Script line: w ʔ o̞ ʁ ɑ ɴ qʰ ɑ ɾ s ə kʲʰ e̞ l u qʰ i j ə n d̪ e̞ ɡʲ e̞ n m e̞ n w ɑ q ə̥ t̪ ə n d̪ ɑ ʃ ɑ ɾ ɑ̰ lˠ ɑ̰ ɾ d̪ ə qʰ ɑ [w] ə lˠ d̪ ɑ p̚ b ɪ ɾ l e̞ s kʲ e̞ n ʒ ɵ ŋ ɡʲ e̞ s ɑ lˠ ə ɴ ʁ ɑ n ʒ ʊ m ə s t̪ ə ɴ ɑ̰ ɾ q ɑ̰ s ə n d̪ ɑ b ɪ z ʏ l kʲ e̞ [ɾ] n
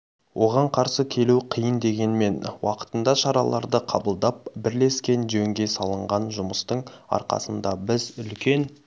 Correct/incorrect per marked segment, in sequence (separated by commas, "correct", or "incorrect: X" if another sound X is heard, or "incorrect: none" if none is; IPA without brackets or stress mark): incorrect: b, incorrect: none